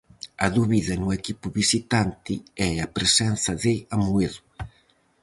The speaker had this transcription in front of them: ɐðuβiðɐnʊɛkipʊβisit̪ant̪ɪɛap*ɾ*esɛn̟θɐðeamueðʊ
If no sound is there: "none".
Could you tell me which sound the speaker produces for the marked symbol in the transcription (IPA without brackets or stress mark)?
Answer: ɾ